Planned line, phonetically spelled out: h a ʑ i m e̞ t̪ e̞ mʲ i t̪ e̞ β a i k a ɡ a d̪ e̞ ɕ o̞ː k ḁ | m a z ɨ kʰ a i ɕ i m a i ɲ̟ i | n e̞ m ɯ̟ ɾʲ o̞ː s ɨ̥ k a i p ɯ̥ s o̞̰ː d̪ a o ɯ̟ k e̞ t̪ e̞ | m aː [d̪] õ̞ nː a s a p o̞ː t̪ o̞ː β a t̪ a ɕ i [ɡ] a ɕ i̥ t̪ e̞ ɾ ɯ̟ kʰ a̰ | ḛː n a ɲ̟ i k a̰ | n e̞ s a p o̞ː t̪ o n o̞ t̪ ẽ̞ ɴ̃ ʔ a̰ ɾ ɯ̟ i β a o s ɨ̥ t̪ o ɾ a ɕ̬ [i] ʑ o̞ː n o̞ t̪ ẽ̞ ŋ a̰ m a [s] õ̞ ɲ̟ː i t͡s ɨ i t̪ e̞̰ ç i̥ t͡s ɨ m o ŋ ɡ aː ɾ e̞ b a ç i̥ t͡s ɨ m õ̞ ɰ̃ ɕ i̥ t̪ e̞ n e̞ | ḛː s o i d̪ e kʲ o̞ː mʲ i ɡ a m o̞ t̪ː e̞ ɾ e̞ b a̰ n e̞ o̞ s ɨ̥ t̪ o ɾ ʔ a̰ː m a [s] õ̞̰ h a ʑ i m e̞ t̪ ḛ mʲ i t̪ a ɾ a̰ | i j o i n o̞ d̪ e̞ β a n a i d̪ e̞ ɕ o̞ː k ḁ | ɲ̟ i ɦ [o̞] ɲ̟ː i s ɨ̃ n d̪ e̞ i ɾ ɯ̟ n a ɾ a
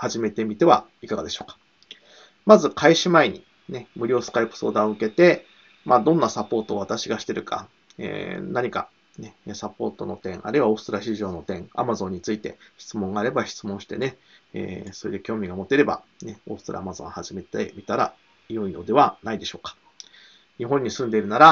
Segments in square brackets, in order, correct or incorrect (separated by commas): correct, correct, correct, incorrect, incorrect, incorrect